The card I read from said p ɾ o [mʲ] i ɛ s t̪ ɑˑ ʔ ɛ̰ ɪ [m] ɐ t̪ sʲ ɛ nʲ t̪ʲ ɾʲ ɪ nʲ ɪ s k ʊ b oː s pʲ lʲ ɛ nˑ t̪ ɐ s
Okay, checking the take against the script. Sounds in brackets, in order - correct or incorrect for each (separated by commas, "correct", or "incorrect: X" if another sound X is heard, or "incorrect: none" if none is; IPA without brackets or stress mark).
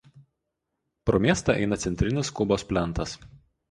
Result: correct, incorrect: n